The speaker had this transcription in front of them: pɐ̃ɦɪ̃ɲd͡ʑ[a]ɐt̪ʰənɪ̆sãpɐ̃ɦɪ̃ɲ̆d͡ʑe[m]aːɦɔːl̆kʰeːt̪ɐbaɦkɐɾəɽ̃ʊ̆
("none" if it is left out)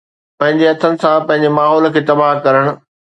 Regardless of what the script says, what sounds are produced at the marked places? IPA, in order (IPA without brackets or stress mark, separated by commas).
e, m